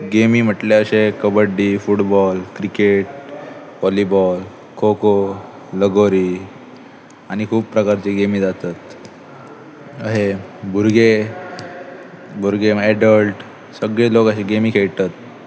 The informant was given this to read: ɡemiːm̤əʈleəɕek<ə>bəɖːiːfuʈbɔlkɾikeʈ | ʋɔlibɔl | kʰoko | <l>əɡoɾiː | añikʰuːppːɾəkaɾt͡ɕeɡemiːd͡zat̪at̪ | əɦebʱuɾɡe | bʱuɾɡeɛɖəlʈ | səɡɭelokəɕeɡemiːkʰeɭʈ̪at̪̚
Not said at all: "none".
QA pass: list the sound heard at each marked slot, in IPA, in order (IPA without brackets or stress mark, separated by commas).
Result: ə, l